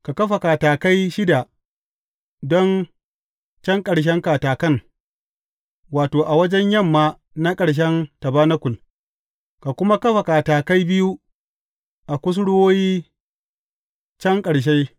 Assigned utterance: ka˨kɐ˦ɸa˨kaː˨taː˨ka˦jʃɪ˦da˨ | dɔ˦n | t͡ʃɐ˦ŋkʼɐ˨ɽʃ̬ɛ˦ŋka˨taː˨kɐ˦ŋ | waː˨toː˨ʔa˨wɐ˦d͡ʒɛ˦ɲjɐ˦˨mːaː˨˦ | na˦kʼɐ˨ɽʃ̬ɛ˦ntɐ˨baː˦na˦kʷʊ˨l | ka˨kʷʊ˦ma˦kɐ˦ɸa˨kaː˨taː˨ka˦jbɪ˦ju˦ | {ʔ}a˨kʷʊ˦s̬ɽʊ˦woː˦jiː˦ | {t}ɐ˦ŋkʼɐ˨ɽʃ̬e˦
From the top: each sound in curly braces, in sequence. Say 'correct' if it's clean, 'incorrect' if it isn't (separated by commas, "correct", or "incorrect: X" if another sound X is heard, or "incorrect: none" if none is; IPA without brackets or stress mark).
correct, incorrect: t͡ʃ